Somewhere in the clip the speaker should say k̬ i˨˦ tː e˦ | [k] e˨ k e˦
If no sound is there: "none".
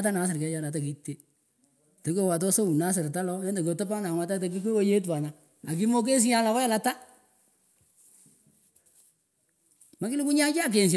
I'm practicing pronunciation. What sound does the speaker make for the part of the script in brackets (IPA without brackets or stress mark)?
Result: t